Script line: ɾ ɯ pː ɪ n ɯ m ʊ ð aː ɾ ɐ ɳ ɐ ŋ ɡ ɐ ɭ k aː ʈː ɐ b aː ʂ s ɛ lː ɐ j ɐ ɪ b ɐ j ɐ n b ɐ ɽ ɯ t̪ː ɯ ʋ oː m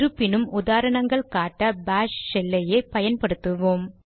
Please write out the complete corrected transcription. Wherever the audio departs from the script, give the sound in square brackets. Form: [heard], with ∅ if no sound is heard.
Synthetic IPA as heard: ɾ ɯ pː ɪ n ɯ m ʊ ð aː ɾ ɐ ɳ ɐ ŋ ɡ ɐ ɭ k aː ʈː ɐ b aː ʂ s ɛ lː ɐ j ɐ ɪ [p] ɐ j ɐ n [p] ɐ ɽ ɯ t̪ː ɯ ʋ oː m